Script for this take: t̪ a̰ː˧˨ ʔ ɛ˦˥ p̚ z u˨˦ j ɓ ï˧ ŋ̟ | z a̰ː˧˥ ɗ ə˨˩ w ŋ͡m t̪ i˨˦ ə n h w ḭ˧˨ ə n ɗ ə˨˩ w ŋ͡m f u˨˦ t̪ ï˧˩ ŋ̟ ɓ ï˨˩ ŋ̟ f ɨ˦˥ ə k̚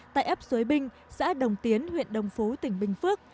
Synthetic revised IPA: t̪ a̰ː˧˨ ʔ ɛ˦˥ p̚ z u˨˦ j ɓ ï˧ ŋ̟ | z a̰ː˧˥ ɗ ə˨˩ w ŋ͡m t̪ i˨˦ ə n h w ḭ˧˨ ə n ɗ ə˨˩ w ŋ͡m f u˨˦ t̪ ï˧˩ ŋ̟ ɓ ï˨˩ ŋ̟ f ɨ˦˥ ə k̚